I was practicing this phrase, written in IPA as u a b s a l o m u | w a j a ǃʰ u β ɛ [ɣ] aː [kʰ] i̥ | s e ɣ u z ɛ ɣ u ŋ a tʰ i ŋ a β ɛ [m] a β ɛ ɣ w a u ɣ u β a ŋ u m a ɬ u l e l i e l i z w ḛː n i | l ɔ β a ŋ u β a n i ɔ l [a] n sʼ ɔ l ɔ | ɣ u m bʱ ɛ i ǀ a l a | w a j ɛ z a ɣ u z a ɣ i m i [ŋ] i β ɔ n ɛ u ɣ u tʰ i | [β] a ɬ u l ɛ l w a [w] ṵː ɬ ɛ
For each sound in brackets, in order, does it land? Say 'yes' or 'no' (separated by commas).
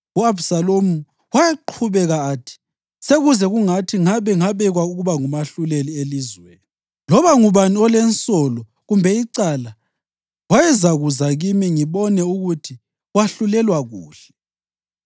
yes, no, no, no, yes, no, no